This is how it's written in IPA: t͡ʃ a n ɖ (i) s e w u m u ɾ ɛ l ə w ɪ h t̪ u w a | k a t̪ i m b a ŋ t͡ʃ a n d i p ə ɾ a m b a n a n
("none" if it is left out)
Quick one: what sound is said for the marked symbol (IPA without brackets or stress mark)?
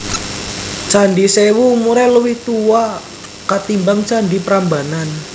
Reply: i